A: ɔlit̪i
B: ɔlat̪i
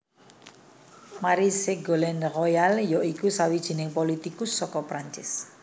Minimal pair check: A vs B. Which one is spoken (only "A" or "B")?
A